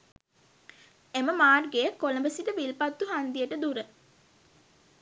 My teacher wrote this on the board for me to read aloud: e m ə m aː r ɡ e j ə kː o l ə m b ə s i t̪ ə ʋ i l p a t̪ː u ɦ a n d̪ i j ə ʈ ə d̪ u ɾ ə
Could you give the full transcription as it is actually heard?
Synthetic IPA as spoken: e m ə m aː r ɡ e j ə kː o l ə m b ə s i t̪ ə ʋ i l p a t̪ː u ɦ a n d̪ i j ə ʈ ə d̪ u ɾ ə